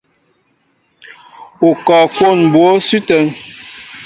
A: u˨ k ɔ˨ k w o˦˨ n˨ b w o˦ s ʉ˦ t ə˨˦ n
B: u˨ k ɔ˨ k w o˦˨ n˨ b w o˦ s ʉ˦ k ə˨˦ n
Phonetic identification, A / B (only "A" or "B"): A